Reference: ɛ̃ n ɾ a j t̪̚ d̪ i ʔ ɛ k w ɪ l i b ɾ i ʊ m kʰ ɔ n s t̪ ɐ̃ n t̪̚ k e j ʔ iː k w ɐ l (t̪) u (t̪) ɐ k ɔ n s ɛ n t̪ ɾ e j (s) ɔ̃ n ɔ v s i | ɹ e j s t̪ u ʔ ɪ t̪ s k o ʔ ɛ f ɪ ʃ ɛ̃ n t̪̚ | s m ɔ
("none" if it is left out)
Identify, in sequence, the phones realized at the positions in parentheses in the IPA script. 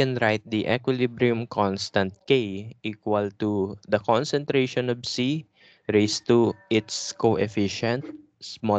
t̪, d̪, ʃ

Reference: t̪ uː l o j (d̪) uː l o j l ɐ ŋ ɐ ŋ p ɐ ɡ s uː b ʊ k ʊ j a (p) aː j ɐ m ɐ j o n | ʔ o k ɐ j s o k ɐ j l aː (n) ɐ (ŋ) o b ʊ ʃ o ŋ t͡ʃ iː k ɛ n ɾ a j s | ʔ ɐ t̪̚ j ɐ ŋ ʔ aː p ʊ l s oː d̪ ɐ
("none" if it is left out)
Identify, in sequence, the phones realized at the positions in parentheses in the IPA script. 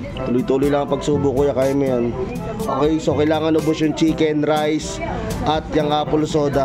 t̪, k, ŋ, n

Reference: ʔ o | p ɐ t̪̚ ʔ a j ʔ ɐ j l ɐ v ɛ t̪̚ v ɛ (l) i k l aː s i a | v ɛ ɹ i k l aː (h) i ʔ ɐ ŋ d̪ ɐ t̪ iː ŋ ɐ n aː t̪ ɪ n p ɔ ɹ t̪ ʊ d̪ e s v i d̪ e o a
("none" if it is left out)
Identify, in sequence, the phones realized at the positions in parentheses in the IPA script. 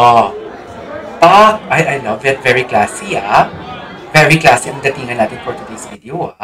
ɹ, s

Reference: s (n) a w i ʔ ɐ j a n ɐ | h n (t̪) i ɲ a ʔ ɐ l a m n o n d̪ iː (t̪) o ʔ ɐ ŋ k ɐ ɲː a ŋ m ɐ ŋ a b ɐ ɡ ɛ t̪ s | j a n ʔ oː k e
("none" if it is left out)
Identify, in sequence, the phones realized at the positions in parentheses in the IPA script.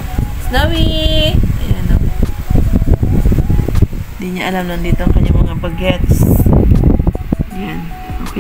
n, d̪, t̪

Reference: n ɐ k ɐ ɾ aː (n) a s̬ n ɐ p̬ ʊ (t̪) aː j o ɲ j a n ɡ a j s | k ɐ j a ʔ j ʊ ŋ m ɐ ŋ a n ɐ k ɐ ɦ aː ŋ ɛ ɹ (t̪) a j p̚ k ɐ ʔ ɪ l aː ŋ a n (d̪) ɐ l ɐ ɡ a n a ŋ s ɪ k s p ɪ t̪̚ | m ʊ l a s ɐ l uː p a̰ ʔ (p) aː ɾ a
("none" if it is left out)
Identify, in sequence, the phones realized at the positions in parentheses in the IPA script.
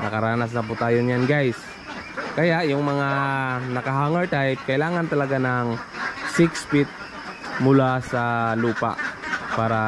n, t̪, t̪, t̪, p

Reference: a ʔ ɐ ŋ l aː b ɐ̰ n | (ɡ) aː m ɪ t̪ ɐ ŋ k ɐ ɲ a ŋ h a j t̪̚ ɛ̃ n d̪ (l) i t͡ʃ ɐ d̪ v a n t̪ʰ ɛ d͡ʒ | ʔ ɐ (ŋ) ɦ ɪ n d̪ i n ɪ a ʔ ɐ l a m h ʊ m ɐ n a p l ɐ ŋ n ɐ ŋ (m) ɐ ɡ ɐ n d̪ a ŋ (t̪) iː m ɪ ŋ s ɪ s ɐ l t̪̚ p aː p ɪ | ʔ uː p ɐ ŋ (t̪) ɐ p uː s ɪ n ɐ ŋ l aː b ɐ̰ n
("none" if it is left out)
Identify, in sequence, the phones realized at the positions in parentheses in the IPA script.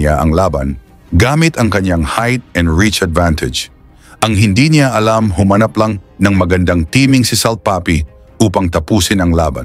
ɡ, ɹ, ŋ, m, t̪, t̪

